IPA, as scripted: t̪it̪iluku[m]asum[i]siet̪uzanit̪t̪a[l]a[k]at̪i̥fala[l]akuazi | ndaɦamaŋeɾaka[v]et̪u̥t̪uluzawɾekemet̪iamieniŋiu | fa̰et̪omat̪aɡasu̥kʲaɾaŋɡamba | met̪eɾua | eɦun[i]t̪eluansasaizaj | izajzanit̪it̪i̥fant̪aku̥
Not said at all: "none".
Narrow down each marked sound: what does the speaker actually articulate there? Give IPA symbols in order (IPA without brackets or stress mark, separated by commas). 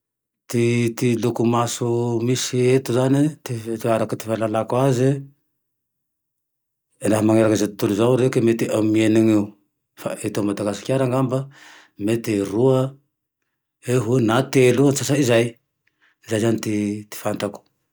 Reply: m, i, ɾ, k, l, z, a